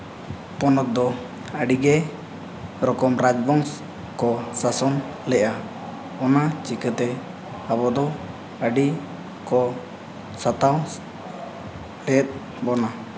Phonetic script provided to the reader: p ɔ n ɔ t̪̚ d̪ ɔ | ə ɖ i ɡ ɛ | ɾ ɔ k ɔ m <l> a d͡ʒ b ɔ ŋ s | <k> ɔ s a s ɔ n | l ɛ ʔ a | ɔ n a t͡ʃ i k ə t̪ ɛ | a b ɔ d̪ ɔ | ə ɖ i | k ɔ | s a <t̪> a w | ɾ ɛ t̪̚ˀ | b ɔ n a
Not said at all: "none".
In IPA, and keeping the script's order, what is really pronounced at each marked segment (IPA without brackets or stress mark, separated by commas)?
ɾ, k, t̪